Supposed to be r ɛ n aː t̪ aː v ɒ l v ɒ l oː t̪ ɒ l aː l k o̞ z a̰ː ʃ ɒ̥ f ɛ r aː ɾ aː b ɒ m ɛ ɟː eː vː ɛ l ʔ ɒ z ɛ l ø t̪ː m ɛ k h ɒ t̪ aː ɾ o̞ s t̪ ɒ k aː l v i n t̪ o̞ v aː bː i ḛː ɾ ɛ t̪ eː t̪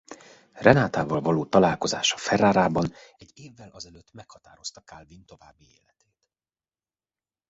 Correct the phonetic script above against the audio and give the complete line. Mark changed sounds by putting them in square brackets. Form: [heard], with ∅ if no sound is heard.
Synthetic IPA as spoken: r ɛ n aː t̪ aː v ɒ l v ɒ l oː t̪ ɒ l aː l k o̞ z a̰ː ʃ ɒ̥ f ɛ r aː ɾ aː b ɒ [n] ɛ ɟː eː vː ɛ l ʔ ɒ z ɛ l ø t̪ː m ɛ k h ɒ t̪ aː ɾ o̞ s t̪ ɒ k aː l v i n t̪ o̞ v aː bː i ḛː [l] ɛ t̪ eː t̪